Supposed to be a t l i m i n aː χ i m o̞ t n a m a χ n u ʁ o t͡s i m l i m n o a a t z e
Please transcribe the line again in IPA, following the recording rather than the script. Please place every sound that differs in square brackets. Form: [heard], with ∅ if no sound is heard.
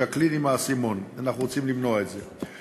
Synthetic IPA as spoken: a [k] l i [n] i [m] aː [s] i m o̞ [∅] n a [n] a χ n u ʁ o t͡s i m l i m n o a [e] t z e